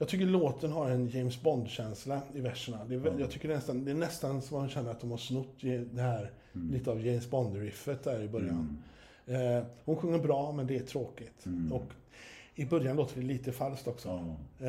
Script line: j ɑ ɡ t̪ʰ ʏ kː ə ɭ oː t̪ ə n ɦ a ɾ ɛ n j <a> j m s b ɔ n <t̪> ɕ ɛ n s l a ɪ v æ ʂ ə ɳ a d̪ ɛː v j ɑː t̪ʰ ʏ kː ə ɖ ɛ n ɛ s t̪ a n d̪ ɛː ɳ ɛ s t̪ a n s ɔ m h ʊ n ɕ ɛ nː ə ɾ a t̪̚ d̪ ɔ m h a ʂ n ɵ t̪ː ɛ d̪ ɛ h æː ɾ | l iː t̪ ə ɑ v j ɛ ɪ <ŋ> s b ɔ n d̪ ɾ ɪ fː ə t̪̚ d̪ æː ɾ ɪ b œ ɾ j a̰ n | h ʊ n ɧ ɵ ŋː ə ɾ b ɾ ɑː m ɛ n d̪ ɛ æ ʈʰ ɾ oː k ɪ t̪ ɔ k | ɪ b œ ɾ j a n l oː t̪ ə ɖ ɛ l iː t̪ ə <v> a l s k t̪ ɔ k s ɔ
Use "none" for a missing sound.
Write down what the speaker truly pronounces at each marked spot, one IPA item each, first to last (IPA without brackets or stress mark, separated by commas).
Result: ɛ, d̪, m, f